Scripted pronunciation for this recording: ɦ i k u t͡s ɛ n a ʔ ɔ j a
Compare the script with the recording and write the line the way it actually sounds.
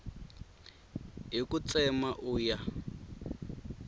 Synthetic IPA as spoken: ɦ i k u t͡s ɛ m a ʔ u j a